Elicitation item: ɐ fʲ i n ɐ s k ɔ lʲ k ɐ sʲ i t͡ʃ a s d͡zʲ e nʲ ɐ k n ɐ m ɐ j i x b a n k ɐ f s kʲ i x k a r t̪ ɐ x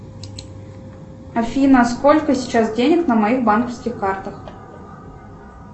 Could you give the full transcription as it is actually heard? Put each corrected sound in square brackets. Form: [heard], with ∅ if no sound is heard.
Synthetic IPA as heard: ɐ fʲ i n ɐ s k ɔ lʲ k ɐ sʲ i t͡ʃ a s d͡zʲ e nʲ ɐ k n ɐ m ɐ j i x b a n k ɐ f s kʲ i x k a r t̪ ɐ x